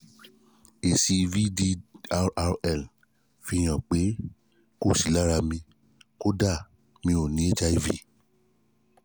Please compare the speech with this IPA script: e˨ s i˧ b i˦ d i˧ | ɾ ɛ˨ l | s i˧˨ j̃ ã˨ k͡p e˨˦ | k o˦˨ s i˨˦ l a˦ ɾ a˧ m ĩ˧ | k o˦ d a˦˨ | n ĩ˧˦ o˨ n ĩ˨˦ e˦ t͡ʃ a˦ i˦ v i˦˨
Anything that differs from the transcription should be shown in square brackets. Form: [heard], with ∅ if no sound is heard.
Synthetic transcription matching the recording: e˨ s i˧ [v] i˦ d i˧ | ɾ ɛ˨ l | [f] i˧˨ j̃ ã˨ k͡p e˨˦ | k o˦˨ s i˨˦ l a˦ ɾ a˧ m ĩ˧ | k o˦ d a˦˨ | [m] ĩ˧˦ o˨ n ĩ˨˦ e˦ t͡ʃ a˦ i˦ v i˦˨